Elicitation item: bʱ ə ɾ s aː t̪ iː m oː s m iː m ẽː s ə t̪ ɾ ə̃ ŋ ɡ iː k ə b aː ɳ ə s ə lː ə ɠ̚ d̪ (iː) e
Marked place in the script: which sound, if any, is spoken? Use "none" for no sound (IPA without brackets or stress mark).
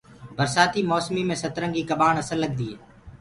iː